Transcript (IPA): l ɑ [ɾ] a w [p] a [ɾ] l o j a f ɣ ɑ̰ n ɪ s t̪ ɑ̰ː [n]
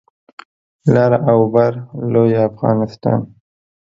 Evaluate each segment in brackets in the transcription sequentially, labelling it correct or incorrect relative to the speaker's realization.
correct, incorrect, correct, correct

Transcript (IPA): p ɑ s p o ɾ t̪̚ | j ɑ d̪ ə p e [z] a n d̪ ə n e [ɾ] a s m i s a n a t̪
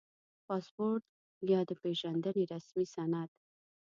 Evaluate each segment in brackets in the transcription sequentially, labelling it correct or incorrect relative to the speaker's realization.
incorrect, correct

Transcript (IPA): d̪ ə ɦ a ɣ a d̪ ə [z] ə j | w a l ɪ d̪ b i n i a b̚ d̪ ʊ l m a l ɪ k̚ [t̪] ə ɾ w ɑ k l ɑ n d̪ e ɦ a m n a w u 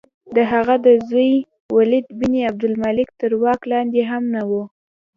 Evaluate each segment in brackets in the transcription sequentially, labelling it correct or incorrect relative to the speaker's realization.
correct, correct

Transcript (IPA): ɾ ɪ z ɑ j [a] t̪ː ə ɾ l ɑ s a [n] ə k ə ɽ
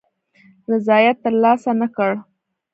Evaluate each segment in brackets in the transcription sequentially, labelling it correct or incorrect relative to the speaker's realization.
correct, correct

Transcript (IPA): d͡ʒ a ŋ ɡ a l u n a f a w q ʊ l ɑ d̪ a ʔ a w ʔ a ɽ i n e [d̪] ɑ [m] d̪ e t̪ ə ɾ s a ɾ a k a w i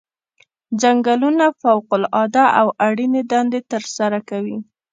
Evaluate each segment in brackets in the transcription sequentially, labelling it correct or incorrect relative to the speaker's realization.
correct, incorrect

